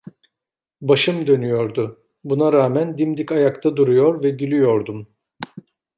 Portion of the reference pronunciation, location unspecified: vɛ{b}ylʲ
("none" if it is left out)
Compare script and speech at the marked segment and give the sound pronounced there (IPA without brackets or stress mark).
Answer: ɟ